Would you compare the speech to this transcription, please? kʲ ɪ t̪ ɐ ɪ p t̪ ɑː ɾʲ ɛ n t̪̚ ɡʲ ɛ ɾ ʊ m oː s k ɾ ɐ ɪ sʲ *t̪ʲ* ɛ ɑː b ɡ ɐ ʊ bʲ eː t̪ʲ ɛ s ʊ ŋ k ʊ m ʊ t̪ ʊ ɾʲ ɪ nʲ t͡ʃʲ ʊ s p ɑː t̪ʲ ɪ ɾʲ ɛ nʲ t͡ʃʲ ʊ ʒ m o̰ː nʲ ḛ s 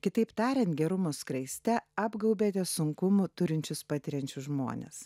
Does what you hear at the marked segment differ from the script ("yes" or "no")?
no